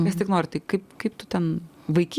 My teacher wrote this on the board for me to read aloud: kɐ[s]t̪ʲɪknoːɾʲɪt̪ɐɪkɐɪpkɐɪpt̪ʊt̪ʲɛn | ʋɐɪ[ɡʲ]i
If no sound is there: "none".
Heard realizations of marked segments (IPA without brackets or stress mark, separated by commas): s, kʲ